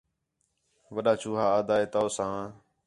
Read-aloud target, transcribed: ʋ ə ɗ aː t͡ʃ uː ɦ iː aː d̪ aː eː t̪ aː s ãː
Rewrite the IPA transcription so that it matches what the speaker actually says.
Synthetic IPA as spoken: ʋ ə ɗ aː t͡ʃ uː ɦ aː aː d̪ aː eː t̪ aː s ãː